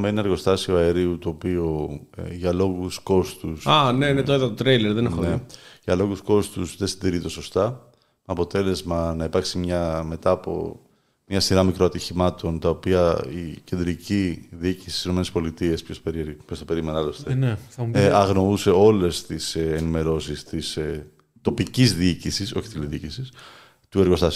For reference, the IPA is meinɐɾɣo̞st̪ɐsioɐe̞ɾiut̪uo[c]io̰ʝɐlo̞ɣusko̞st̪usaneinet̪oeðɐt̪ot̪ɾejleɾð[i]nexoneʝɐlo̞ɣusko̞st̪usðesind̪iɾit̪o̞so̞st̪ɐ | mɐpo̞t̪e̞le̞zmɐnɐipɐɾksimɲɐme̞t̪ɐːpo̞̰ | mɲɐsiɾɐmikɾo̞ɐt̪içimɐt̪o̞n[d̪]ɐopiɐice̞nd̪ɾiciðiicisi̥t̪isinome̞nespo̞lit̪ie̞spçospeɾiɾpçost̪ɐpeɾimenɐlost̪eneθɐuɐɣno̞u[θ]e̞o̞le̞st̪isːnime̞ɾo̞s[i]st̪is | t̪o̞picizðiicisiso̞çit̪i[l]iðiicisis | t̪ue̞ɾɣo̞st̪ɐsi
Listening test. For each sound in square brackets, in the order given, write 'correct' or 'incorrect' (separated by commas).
incorrect, incorrect, incorrect, incorrect, correct, correct